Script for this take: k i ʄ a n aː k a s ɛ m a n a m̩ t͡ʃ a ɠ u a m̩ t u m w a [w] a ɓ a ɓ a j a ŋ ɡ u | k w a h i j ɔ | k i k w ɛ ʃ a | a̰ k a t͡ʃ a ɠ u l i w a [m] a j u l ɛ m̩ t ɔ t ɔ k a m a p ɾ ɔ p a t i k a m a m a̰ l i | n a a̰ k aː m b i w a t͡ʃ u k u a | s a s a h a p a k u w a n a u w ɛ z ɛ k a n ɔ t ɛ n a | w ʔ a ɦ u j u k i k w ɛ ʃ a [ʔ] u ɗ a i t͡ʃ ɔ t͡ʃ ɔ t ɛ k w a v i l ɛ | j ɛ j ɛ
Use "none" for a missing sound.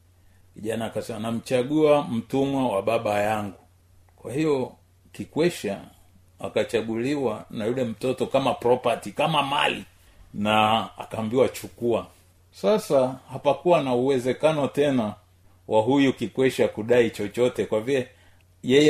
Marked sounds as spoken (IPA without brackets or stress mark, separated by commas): w, n, k